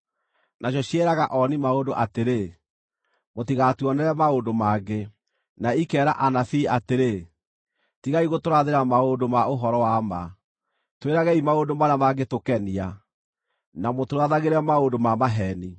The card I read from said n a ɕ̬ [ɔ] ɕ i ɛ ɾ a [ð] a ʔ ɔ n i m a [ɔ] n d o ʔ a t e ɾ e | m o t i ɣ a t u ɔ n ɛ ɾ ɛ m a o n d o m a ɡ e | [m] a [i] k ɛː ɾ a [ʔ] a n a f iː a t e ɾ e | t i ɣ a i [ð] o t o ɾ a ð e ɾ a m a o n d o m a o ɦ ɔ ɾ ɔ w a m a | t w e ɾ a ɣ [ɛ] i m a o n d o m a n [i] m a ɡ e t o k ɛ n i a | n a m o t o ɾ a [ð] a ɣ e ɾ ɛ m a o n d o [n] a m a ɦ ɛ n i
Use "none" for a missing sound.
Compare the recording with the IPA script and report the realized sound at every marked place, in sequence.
ɔ, ɣ, o, n, i, ʔ, ɣ, ɛ, a, ð, m

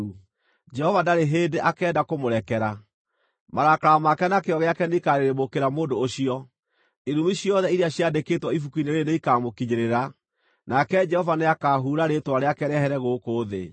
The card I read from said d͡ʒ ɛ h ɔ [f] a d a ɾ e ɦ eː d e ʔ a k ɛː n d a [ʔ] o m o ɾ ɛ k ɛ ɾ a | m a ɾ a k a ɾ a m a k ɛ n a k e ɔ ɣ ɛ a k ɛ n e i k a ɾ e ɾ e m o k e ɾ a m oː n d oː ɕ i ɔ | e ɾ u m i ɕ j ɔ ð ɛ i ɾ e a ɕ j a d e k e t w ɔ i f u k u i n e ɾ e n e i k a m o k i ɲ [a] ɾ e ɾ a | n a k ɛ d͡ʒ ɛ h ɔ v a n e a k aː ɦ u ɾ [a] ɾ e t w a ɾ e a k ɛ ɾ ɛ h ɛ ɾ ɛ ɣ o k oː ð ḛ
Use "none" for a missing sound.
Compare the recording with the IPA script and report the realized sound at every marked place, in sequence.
v, k, e, a

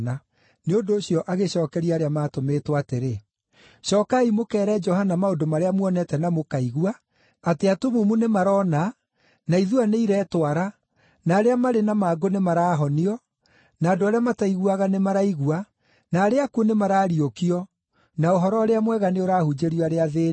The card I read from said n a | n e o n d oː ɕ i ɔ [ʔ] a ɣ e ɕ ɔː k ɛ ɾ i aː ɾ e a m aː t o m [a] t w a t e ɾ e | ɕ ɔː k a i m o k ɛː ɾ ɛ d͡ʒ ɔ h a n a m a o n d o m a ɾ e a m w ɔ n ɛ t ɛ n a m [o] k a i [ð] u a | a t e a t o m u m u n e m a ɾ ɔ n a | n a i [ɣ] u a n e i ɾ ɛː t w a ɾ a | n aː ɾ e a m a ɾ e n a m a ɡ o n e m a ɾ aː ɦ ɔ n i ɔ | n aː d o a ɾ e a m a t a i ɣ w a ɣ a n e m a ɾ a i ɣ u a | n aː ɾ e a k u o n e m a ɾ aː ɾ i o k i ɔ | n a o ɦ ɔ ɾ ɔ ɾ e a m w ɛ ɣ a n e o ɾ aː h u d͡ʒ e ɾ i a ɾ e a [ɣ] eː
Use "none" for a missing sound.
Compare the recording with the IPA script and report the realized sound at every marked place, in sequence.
ʔ, e, o, ɣ, ð, ð

